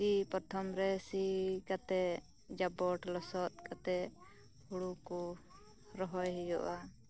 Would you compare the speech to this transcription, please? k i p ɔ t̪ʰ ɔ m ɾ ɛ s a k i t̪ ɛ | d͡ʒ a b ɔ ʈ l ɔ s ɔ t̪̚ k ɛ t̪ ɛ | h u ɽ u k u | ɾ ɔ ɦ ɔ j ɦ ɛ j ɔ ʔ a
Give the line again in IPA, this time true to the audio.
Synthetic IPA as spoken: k i p ɔ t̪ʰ ɔ m ɾ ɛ s i k a t̪ ɛ | d͡ʒ a b ɔ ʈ l ɔ s ɔ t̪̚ k a t̪ ɛ | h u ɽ u k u | ɾ ɔ ɦ ɔ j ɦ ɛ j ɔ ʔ a